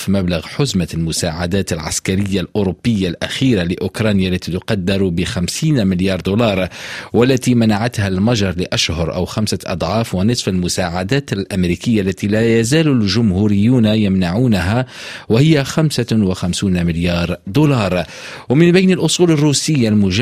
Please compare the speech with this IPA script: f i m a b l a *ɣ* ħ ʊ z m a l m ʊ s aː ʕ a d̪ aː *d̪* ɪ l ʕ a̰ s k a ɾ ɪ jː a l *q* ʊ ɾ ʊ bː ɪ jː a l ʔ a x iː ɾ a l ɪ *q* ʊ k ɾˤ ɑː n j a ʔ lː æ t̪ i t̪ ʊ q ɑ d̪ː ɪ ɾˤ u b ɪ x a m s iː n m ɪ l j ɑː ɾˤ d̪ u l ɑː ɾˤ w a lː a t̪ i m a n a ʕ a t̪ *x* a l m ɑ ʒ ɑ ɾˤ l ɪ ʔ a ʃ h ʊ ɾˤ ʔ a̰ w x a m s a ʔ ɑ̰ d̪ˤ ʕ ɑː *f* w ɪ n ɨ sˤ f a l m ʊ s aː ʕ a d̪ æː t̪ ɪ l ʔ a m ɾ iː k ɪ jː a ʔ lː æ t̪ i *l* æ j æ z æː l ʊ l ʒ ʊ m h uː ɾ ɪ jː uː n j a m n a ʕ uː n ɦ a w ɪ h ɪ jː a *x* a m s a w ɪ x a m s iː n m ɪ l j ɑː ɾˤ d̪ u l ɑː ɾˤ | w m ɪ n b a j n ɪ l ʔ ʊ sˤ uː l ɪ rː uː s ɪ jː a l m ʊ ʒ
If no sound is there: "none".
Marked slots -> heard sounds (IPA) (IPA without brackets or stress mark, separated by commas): ɣ, t̪, ʔ, ʔ, h, f, l, x